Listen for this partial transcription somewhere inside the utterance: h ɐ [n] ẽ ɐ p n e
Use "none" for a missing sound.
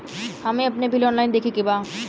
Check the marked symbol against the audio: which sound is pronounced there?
m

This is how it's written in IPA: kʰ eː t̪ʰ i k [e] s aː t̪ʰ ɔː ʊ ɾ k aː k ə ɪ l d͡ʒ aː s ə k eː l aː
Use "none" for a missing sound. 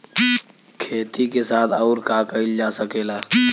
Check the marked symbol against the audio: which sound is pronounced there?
e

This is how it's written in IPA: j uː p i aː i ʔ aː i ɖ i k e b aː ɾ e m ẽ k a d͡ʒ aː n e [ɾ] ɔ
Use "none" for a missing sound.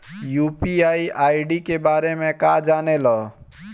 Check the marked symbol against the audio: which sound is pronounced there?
l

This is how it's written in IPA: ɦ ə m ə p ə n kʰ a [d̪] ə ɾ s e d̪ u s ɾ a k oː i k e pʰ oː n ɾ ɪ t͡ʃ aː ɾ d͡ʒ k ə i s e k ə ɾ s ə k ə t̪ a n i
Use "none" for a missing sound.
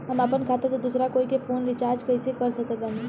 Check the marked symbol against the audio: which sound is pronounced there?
t̪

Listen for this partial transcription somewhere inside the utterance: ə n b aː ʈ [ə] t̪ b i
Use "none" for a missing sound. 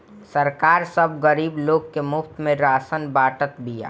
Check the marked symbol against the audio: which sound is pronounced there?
ə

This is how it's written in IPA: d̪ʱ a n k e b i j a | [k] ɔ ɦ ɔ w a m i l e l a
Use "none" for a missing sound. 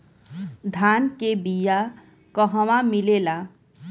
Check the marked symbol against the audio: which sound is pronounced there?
k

